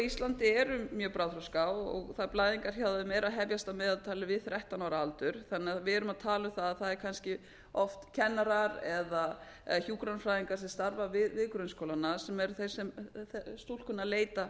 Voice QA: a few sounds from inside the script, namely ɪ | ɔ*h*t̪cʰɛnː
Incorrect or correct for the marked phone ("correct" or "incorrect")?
incorrect